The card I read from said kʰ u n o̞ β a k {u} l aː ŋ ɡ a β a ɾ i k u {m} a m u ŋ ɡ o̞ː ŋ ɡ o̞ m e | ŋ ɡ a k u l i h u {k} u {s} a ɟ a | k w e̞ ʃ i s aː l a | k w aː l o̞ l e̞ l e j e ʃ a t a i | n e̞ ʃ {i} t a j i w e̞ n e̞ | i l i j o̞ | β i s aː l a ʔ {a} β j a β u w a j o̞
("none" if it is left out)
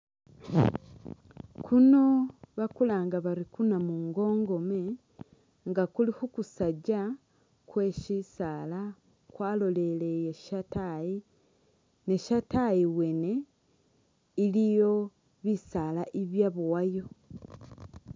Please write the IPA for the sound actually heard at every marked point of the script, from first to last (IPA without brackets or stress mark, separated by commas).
u, n, k, s, a, i